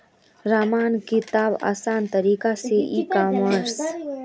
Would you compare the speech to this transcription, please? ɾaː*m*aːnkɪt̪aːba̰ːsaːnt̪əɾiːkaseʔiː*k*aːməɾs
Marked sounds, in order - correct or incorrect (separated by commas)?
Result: correct, correct